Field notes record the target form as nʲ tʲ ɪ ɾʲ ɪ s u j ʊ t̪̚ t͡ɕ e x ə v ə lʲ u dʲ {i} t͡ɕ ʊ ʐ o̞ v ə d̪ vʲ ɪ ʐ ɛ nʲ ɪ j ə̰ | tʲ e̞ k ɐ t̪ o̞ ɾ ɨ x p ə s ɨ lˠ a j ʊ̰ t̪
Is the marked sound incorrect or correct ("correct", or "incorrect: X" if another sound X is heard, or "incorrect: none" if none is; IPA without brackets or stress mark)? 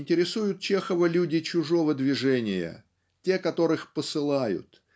incorrect: ɪ